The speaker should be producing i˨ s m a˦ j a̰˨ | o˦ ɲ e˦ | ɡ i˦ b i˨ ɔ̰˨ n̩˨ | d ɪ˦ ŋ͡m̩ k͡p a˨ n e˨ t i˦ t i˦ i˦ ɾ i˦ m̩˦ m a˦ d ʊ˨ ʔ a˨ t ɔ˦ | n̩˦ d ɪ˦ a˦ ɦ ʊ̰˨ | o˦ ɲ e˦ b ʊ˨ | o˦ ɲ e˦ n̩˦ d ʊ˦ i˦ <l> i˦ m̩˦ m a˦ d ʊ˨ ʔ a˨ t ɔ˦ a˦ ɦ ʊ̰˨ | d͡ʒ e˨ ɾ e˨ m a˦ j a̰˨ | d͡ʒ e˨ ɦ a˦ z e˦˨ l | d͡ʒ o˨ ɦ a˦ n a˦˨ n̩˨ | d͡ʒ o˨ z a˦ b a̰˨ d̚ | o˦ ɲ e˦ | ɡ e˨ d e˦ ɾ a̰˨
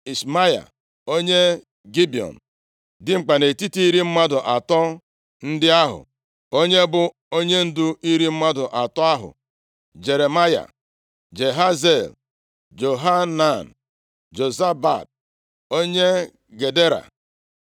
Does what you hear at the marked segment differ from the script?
yes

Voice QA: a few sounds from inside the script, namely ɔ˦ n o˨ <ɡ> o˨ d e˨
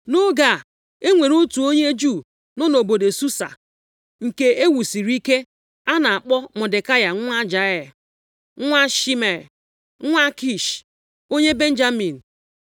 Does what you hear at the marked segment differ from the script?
yes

